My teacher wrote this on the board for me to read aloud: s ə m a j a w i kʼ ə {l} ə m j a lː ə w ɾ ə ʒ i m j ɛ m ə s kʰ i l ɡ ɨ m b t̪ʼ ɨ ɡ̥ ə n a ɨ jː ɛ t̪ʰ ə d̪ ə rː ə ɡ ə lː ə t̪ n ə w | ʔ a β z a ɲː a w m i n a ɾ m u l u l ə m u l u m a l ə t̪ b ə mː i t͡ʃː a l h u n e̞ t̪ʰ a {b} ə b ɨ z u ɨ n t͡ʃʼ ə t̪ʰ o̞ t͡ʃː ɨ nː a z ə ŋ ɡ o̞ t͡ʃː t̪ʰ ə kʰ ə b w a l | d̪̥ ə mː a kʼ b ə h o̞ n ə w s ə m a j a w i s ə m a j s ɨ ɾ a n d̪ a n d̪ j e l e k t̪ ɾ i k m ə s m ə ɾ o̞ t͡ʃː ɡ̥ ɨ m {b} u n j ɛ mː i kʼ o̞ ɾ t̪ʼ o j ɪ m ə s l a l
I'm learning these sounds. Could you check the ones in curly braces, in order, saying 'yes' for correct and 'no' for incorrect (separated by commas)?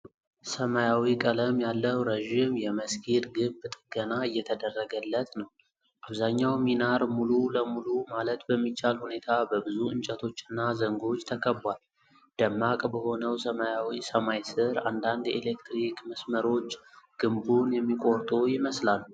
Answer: yes, yes, yes